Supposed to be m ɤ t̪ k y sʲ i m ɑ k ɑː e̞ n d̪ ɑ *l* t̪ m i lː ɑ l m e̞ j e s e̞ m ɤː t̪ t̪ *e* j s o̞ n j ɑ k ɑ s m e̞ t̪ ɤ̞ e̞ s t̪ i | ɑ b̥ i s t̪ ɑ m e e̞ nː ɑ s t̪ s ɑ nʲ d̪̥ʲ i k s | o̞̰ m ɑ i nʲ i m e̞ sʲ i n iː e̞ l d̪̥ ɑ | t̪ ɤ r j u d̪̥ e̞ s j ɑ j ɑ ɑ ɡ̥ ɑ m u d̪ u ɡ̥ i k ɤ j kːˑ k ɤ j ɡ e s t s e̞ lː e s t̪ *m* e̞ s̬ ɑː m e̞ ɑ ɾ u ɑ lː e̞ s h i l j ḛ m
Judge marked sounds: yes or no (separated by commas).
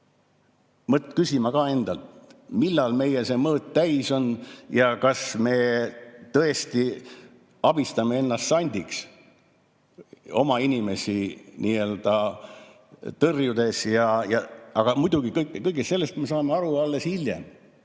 yes, no, yes